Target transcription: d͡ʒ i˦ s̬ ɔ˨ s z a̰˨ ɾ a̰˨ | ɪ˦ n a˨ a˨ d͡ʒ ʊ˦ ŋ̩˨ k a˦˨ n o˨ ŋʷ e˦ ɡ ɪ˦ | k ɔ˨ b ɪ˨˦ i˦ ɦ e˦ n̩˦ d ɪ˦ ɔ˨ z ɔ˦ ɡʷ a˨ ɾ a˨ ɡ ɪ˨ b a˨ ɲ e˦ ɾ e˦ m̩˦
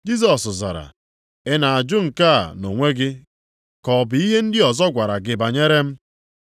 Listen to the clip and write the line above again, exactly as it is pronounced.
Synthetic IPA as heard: d͡ʒ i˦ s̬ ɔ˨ s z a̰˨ ɾ a̰˨ | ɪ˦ n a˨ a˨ d͡ʒ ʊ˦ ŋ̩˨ k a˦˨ n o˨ ŋʷ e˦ ɡ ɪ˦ | k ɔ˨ b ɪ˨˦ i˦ ɦ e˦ n̩˦ d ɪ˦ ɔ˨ z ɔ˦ ɡʷ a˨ ɾ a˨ ɡ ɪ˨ b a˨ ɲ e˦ ɾ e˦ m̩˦